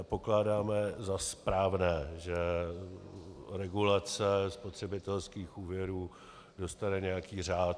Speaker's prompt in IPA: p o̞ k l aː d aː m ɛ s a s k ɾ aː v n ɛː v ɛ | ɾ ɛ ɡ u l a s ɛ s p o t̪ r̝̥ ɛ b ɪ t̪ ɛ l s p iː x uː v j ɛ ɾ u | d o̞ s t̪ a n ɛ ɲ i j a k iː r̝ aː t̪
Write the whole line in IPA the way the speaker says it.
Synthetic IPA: p o̞ k l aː d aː m ɛ z a s p ɾ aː v n ɛː ʒ ɛ | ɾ ɛ ɡ u l a t͡s ɛ s p o t̪ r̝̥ ɛ b ɪ t̪ ɛ l s k iː x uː v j ɛ ɾ uː | d o̞ s t̪ a n ɛ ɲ ɛ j a k iː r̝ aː t̪